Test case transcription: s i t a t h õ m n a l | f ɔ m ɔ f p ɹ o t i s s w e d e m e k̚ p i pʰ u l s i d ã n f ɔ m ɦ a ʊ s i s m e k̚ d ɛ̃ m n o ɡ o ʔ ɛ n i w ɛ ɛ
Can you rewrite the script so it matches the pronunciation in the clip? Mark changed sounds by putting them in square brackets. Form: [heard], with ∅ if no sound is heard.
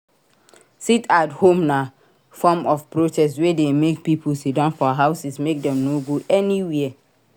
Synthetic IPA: s i t a t h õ m n a [∅] | f ɔ m ɔ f p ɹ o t [ɛ] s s w e d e m e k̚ p i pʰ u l s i d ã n f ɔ [∅] ɦ a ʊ s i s m e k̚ d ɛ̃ m n o ɡ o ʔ ɛ n i w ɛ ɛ